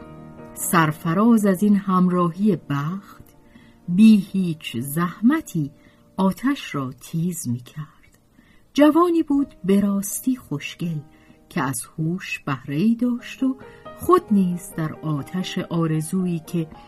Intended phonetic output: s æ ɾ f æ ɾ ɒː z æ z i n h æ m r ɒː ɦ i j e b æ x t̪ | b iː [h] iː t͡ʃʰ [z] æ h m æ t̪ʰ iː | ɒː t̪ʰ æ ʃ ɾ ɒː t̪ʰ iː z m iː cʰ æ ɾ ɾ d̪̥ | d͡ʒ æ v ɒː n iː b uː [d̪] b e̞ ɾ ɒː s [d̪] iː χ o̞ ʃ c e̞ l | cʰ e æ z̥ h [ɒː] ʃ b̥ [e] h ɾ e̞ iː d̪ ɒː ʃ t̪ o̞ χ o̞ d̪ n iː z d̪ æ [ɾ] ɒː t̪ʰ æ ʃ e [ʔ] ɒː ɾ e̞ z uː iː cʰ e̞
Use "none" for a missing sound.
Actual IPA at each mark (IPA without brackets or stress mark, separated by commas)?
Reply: h, z, d̪, t̪, uː, æ, ɾ, ʔ